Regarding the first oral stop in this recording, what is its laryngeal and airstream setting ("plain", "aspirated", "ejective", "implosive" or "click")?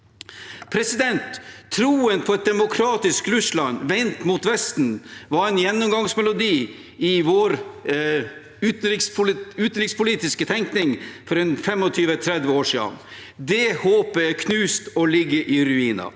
aspirated